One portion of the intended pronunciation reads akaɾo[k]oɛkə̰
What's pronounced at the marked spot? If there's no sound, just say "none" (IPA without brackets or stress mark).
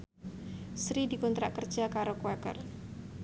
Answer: k